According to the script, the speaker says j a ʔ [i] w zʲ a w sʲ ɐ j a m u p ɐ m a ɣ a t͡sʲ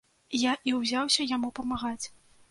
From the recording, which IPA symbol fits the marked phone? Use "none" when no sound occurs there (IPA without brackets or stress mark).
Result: i